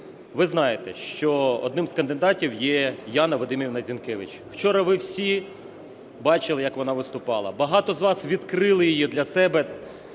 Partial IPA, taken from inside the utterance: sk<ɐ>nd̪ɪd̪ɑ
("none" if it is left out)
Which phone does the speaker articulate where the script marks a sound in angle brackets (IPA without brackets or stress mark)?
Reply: ɐ